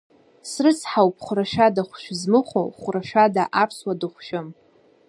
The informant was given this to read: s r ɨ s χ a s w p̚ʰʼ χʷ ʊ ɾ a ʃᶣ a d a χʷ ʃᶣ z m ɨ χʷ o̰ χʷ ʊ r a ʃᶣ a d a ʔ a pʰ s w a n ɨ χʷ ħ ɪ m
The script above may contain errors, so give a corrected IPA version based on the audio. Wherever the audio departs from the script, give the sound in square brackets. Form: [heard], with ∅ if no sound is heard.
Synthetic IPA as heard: s r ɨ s [ħ] a [∅] w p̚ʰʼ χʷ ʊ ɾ a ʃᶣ a d a χʷ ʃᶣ z m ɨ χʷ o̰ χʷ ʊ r a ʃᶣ a d a ʔ a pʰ s w a [d] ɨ χʷ [ʃ] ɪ m